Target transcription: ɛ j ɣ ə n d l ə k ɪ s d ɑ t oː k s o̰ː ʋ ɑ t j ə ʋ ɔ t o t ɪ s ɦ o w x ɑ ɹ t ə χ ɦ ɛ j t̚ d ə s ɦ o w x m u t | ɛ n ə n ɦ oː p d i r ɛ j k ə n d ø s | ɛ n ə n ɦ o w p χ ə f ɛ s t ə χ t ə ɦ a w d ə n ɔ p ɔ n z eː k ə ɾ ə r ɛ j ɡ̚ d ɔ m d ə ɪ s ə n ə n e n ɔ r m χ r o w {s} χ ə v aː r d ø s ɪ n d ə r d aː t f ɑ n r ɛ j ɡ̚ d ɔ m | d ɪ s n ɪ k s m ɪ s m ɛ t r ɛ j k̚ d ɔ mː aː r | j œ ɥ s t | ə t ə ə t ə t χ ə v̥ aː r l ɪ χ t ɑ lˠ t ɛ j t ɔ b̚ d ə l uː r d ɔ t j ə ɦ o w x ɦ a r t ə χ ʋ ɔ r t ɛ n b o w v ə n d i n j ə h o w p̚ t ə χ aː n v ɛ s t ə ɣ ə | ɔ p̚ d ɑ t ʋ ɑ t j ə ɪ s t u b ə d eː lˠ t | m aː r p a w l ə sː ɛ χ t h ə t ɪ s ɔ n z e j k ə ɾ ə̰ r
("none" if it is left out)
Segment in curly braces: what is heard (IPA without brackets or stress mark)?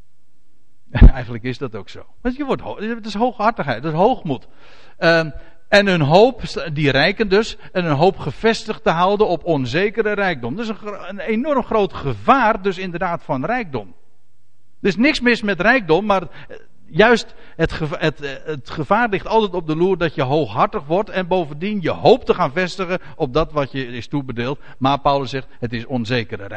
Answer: t